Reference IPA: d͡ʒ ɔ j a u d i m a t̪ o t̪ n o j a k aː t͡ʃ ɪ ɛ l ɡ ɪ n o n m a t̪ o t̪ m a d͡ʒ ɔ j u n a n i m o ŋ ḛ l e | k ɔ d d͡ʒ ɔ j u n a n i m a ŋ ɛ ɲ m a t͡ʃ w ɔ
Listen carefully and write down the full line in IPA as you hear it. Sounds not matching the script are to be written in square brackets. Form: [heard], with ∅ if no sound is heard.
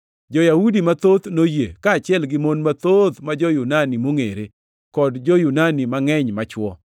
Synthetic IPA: d͡ʒ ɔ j a u d i m a t̪ o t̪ n o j [e] k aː t͡ʃ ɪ ɛ l ɡ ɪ [m] o n m a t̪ o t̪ m a d͡ʒ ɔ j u n a n i m o ŋ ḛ [ɾ] e | k ɔ d d͡ʒ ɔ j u n a n i m a ŋ ɛ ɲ m a t͡ʃ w ɔ